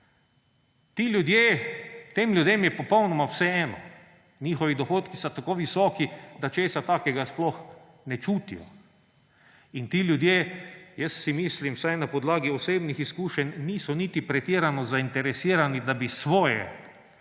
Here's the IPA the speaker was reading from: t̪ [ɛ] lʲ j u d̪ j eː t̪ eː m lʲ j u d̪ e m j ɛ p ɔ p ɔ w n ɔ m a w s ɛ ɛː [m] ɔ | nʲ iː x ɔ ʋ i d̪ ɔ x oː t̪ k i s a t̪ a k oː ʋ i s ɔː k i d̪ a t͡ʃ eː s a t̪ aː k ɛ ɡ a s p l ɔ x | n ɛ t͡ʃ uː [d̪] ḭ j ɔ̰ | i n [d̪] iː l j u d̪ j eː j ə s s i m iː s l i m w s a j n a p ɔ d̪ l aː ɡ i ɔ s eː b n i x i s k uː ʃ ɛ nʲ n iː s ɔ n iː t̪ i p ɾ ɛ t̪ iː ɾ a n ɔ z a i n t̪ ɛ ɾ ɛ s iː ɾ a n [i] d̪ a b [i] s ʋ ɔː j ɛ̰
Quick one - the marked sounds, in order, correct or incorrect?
incorrect, incorrect, incorrect, incorrect, correct, correct

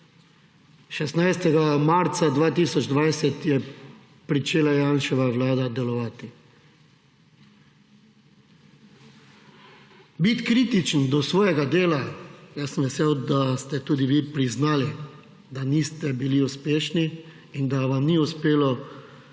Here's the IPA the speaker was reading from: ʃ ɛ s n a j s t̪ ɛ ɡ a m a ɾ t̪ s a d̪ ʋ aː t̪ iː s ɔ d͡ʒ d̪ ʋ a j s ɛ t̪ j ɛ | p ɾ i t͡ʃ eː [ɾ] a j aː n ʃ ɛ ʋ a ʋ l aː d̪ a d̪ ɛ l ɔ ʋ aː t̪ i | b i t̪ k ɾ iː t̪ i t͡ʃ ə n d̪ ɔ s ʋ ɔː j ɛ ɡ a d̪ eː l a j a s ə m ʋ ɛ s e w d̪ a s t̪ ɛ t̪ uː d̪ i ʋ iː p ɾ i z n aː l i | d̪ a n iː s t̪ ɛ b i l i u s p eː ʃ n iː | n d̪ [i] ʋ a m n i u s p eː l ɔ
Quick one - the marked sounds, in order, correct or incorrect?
incorrect, incorrect

